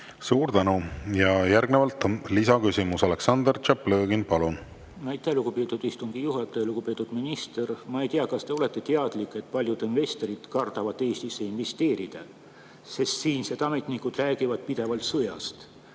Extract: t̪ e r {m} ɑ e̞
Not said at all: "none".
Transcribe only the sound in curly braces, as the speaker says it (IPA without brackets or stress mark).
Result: m